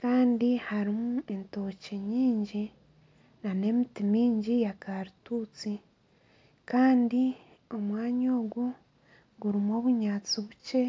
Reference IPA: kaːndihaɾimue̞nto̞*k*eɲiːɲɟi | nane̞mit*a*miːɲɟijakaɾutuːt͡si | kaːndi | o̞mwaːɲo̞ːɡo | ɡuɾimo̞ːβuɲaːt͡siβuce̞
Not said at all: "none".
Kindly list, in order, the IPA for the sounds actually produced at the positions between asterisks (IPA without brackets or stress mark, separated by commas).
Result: c, i